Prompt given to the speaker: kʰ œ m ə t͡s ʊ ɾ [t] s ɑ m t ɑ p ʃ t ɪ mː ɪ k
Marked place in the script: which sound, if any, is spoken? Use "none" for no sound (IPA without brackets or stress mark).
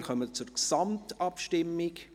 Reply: k